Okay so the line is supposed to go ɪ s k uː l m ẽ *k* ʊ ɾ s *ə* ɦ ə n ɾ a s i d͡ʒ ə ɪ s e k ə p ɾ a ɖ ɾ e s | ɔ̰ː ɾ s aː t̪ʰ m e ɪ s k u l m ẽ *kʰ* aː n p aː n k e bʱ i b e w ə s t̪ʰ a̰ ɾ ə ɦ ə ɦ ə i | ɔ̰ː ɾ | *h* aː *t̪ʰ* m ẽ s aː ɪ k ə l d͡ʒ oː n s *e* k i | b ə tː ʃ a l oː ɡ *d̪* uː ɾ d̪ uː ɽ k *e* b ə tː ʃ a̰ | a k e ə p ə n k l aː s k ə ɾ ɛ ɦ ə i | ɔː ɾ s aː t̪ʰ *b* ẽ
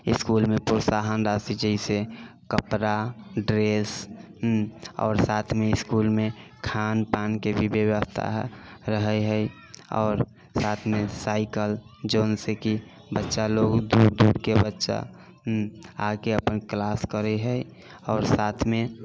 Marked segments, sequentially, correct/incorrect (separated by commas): incorrect, incorrect, correct, incorrect, correct, correct, correct, correct, incorrect